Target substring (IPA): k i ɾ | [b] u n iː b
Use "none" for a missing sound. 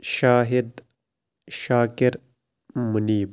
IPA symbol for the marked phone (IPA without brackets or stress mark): m